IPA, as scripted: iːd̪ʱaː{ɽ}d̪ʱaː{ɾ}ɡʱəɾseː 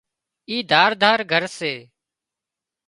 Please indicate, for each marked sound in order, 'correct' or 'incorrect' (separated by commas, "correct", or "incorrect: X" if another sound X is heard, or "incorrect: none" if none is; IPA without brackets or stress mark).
incorrect: ɾ, correct